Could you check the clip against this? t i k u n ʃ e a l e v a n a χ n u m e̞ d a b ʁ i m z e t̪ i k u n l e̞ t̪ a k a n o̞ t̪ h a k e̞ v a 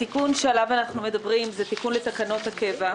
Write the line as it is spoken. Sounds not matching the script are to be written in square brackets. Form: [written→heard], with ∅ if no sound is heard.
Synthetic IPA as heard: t i k u n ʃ e a l [e→a] v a n a χ n u m e̞ d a b ʁ i m z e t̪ i k u n l e̞ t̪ a k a n o̞ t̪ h a k e̞ v a

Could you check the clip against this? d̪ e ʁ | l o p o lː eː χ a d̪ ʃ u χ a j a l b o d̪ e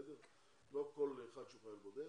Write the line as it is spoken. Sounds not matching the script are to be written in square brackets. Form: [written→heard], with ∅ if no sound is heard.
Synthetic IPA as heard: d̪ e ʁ | l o [p→k] o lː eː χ a d̪ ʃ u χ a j a l b o d̪ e

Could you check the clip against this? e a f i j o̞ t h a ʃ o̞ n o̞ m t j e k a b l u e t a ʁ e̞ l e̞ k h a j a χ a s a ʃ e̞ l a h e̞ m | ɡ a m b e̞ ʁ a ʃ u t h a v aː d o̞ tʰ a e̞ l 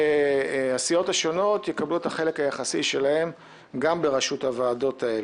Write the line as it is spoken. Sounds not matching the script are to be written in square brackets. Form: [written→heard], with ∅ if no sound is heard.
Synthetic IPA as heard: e a [f→s] i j o̞ t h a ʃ o̞ n o̞ [m→∅] t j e k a b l u e t a [ʁ→χ] e̞ l e̞ k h a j a χ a s [a→i] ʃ e̞ l a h e̞ m | ɡ a m b e̞ ʁ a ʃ u t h a v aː d o̞ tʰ a e̞ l

